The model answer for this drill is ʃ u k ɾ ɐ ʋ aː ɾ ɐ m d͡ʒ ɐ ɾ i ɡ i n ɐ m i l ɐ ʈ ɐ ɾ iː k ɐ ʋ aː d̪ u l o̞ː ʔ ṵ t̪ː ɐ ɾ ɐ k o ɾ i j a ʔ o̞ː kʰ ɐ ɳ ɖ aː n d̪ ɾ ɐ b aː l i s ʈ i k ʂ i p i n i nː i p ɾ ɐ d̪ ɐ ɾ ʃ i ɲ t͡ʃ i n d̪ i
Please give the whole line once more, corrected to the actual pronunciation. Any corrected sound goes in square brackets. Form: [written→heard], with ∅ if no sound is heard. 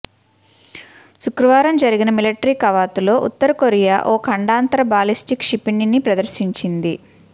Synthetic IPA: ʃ u k ɾ ɐ ʋ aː ɾ ɐ m d͡ʒ ɐ ɾ i ɡ i n ɐ m i l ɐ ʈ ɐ ɾ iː k ɐ ʋ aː [d̪→t̪] u l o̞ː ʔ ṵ t̪ː ɐ ɾ ɐ k o ɾ i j a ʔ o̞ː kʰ ɐ ɳ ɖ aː n [d̪→t̪] ɾ ɐ b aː l i s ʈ i k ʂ i p i n i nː i p ɾ ɐ d̪ ɐ ɾ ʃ i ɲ t͡ʃ i n d̪ i

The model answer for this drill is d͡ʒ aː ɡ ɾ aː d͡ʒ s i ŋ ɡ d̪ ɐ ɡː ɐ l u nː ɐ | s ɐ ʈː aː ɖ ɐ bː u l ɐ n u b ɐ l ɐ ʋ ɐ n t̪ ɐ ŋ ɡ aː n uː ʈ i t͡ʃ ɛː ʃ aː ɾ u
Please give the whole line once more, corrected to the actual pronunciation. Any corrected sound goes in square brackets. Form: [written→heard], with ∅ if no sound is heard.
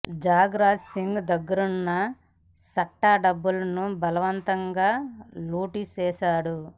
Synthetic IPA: d͡ʒ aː ɡ ɾ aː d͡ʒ s i ŋ ɡ d̪ ɐ ɡː ɐ [l→ɾ] u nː ɐ | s ɐ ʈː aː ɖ ɐ bː u l ɐ n u b ɐ l ɐ ʋ ɐ n t̪ ɐ ŋ ɡ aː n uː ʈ i t͡ʃ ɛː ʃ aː [ɾ→ɽ] u

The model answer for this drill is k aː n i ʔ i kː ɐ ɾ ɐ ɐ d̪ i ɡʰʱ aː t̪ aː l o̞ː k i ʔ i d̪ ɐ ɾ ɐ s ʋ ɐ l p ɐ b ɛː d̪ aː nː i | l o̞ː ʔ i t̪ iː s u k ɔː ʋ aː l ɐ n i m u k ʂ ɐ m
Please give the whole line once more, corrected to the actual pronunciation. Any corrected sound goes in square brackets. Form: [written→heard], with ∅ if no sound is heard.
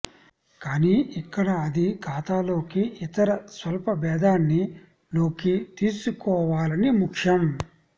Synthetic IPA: k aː n i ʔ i kː ɐ [ɾ→ɽ] ɐ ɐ d̪ i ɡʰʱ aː t̪ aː l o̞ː k i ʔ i [d̪→t̪] ɐ ɾ ɐ s ʋ ɐ l p ɐ b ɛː d̪ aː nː i | l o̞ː [ʔ→k] i t̪ iː s u k ɔː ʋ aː l ɐ n i m u k ʂ ɐ m

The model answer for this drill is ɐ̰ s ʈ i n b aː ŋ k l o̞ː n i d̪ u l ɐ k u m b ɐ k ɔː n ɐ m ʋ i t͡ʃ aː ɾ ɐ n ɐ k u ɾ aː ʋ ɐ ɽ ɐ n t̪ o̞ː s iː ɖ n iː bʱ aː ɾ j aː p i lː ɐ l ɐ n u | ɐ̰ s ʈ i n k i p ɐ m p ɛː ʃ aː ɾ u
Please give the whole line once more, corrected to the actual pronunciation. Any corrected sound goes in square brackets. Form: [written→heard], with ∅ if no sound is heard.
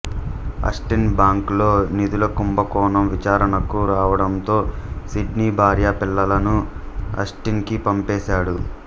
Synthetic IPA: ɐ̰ s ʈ i n b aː ŋ k l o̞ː n i d̪ u l ɐ k u m b ɐ k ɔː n ɐ m ʋ i t͡ʃ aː ɾ ɐ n ɐ k u ɾ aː ʋ ɐ ɽ ɐ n t̪ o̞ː s [iː→i] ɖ n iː bʱ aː ɾ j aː p i lː ɐ l ɐ n u | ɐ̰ s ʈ i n k i p ɐ m p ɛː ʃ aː [ɾ→ɽ] u

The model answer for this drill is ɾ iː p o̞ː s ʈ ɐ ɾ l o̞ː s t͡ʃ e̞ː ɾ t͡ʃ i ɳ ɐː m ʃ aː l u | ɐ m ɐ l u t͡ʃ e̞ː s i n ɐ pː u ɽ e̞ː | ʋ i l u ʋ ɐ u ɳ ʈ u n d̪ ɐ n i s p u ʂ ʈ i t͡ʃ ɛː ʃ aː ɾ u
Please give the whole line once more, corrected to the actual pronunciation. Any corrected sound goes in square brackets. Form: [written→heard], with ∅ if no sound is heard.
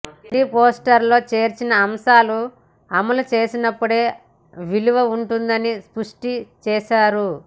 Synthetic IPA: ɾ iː p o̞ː s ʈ ɐ ɾ l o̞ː [s→∅] t͡ʃ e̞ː ɾ t͡ʃ i [ɳ→n] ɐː m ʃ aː l u | ɐ m ɐ l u t͡ʃ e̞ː s i n ɐ pː u ɽ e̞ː | ʋ i l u ʋ ɐ u ɳ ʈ u n d̪ ɐ n i s p u ʂ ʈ i t͡ʃ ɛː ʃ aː ɾ u

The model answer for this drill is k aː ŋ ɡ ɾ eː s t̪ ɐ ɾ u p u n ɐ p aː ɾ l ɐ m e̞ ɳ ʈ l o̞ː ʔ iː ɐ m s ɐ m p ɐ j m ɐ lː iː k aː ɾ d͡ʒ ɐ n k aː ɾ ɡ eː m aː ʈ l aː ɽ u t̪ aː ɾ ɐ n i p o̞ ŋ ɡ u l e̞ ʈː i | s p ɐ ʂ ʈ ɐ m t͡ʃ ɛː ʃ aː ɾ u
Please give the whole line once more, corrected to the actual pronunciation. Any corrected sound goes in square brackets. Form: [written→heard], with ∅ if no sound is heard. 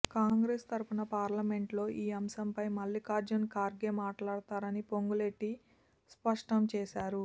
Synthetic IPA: k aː ŋ ɡ ɾ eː s t̪ ɐ ɾ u p u n ɐ p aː ɾ l ɐ m e̞ ɳ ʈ l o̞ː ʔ iː ɐ m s ɐ m p ɐ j m ɐ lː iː k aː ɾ d͡ʒ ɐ n k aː ɾ ɡ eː m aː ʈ l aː ɽ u t̪ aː ɾ ɐ n i p o̞ ŋ ɡ u l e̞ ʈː i | s p ɐ ʂ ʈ ɐ m t͡ʃ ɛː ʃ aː ɾ u

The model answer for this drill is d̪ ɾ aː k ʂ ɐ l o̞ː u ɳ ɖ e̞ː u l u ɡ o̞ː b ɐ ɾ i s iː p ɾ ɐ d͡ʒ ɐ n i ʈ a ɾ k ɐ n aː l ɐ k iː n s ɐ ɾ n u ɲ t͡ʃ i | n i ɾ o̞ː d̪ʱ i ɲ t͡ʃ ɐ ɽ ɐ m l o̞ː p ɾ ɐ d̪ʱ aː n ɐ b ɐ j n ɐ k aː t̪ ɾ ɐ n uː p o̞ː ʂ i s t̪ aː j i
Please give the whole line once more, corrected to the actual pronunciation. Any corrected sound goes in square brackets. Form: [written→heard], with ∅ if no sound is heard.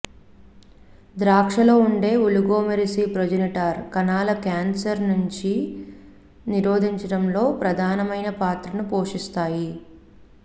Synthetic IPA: d̪ ɾ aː k ʂ ɐ l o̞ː u ɳ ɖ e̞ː u l u ɡ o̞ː [b→m] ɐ ɾ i s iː p ɾ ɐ d͡ʒ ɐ n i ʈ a ɾ k ɐ n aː l ɐ k [iː→aː] n s ɐ ɾ n u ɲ t͡ʃ i | n i ɾ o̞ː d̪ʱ i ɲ t͡ʃ ɐ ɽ ɐ m l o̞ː p ɾ ɐ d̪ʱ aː n ɐ [b→m] ɐ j n ɐ [k→p] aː t̪ ɾ ɐ n [uː→u] p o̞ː ʂ i s t̪ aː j i

